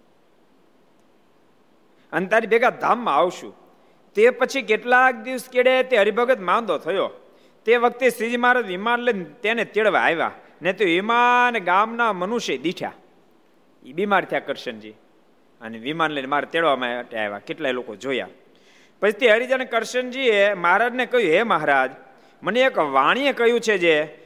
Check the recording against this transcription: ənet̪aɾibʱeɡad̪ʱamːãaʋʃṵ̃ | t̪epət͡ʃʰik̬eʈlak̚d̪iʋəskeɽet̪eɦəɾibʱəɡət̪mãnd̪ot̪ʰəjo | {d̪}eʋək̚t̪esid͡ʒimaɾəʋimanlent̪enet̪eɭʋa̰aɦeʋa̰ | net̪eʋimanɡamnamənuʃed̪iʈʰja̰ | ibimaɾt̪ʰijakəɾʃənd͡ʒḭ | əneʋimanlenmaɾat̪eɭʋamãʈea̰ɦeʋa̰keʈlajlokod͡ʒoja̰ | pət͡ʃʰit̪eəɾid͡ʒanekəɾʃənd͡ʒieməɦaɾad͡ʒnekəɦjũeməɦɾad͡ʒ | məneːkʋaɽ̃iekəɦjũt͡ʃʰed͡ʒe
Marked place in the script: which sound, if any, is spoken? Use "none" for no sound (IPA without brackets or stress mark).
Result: t̪